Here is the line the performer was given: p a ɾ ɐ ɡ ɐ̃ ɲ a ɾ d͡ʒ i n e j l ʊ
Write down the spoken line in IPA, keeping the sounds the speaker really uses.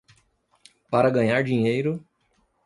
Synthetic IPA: p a ɾ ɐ ɡ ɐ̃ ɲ a ɾ d͡ʒ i ɲ e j ɾ ʊ